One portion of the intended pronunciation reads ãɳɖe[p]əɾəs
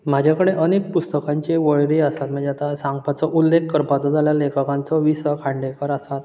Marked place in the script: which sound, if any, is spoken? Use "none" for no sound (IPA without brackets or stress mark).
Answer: k